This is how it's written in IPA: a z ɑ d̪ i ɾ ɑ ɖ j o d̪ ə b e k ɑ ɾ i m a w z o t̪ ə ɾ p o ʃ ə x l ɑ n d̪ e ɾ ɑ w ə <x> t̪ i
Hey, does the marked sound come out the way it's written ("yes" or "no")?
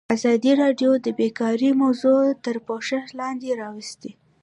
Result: no